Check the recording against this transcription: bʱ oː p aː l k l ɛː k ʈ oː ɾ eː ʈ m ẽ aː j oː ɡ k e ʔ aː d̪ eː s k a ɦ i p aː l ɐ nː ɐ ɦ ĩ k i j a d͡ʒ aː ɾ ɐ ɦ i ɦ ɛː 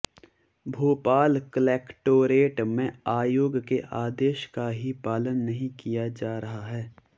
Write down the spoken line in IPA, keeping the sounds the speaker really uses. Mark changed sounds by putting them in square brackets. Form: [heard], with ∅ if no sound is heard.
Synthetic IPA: bʱ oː p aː l k l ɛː k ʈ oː ɾ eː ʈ m ẽ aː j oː ɡ k e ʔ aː d̪ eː [ʃ] k a ɦ i p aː l [ə] nː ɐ ɦ ĩ k i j a d͡ʒ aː ɾ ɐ ɦ [a] ɦ ɛː